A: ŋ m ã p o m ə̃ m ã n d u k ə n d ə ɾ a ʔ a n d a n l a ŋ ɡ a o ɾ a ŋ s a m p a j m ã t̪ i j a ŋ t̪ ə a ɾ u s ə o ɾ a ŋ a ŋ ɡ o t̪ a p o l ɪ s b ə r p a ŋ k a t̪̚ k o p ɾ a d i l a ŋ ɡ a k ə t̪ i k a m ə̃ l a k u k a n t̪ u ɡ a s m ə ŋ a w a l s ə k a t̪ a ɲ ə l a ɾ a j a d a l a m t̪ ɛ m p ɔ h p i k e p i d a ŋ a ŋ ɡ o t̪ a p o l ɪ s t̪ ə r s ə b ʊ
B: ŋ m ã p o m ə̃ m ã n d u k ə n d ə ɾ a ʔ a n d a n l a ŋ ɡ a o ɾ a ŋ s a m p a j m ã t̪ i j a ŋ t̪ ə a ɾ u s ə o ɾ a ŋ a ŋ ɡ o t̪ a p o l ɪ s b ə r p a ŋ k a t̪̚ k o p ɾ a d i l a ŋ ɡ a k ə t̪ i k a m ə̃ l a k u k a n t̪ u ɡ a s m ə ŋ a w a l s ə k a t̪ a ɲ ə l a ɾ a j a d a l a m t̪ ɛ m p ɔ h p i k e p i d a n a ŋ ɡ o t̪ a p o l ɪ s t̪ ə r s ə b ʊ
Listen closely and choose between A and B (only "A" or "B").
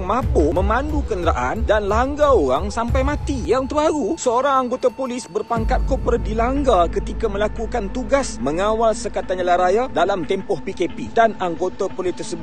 B